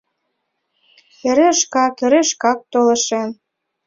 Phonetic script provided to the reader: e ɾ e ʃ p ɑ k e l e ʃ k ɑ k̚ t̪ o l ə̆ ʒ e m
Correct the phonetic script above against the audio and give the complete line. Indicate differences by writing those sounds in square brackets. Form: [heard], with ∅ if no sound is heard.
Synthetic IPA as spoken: e ɾ e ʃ [k] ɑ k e [ɾ] e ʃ k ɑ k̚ t̪ o l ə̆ [ʃ] e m